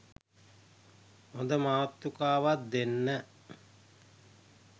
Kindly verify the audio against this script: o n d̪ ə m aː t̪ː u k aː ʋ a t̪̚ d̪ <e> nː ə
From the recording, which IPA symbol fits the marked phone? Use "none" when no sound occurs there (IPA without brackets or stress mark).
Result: e